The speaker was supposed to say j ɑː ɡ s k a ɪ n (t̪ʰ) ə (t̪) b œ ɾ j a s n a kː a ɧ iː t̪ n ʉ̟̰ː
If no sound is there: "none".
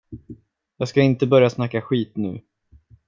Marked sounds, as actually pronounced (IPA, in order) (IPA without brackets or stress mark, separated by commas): t̪, none